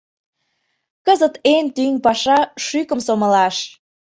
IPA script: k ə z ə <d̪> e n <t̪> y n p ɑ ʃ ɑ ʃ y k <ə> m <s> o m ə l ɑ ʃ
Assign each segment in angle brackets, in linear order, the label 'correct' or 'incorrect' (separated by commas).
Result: incorrect, correct, correct, correct